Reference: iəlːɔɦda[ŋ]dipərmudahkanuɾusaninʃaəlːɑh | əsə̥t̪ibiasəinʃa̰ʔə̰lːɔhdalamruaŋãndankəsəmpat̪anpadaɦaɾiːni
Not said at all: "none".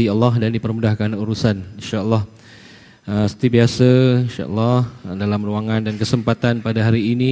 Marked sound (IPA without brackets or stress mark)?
n